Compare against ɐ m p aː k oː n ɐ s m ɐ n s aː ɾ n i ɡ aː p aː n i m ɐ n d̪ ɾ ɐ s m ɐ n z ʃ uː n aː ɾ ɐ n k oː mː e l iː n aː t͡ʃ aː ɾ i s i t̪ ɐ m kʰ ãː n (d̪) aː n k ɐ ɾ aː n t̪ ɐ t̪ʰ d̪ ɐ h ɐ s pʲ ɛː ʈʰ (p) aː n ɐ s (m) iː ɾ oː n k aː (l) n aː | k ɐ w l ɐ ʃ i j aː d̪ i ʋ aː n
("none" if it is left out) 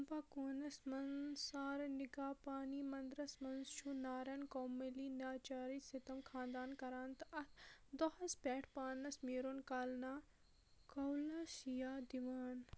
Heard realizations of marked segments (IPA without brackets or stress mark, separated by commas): d̪, p, m, l